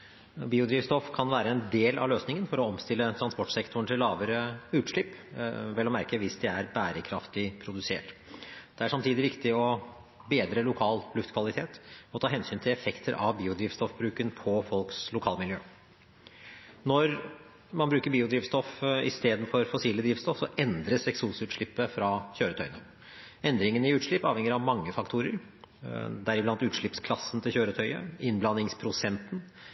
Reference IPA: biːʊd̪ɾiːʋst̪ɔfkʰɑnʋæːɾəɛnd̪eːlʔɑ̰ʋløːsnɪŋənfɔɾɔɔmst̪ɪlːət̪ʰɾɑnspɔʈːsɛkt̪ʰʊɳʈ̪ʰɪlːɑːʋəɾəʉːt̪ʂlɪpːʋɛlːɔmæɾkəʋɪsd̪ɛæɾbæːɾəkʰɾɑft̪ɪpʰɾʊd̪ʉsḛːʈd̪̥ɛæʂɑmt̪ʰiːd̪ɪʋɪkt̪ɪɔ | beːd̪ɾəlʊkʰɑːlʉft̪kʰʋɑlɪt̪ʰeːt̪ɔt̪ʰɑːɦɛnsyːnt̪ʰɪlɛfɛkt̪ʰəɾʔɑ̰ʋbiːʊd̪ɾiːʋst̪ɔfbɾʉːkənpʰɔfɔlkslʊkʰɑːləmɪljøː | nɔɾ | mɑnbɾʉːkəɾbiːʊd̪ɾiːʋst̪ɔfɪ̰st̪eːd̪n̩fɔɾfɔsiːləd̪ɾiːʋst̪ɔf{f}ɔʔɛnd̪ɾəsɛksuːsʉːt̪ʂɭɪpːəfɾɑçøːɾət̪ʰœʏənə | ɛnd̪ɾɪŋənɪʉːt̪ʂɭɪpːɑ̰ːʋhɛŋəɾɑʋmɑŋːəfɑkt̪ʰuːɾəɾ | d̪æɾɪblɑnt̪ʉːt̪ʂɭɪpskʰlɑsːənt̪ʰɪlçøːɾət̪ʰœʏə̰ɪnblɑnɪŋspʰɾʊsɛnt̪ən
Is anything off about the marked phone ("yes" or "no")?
yes